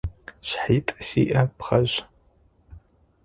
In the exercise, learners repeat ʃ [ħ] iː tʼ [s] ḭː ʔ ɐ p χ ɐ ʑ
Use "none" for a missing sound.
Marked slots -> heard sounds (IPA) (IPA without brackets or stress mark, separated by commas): ħ, s